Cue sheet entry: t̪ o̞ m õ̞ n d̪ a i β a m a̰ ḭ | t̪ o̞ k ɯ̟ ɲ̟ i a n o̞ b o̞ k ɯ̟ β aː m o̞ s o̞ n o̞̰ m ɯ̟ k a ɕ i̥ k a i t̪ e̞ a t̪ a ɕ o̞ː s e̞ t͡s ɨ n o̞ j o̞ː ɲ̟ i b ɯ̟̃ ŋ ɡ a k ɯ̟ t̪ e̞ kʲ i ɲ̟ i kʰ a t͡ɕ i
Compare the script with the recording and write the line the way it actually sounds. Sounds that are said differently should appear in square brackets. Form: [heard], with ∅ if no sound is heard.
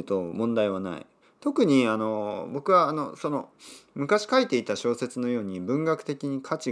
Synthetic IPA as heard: t̪ o̞ m õ̞ n d̪ a i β a [n] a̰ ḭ | t̪ o̞ k ɯ̟ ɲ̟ i a n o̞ b o̞ k ɯ̟ β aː [n] o̞ s o̞ n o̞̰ m ɯ̟ k a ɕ i̥ k a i t̪ e̞ [i] t̪ a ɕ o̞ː s e̞ t͡s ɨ n o̞ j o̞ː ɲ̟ i b ɯ̟̃ ŋ ɡ a k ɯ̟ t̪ e̞ kʲ i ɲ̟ i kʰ a t͡ɕ i